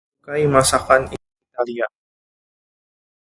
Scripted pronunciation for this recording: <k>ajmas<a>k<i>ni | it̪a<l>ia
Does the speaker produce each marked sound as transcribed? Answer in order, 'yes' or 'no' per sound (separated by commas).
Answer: yes, yes, no, yes